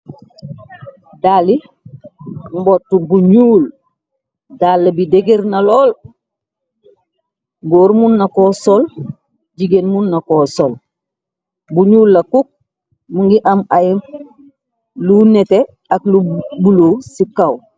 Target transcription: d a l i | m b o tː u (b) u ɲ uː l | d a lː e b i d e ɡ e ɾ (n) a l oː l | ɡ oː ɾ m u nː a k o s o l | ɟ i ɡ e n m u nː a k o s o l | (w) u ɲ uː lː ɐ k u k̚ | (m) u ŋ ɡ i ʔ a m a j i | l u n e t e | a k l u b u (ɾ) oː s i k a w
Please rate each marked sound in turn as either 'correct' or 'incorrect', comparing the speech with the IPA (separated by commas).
correct, correct, incorrect, correct, incorrect